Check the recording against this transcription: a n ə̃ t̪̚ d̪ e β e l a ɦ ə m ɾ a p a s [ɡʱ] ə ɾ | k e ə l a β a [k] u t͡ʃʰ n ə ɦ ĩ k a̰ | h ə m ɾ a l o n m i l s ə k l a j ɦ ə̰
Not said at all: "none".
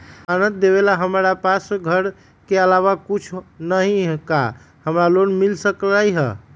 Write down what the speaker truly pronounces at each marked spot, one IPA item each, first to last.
ɡʱ, k

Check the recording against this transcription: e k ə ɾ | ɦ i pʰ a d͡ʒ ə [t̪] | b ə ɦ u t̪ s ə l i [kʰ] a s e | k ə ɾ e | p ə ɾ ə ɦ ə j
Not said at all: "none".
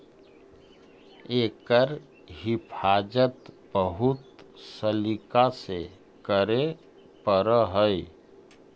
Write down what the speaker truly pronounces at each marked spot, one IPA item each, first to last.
t̪, k

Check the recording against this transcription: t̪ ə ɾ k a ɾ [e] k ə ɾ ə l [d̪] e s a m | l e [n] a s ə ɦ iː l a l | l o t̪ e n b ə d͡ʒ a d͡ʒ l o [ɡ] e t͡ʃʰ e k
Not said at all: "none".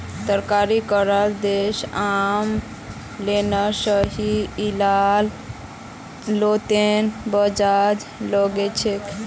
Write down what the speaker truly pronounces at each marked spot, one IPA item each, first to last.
i, d̪, n, ɡ

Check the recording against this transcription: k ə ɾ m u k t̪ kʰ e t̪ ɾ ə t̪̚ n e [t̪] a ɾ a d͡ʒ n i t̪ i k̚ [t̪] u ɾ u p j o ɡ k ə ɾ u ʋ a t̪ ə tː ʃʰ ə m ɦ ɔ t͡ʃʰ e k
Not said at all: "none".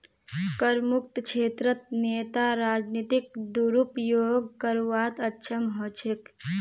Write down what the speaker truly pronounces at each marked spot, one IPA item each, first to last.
t̪, d̪

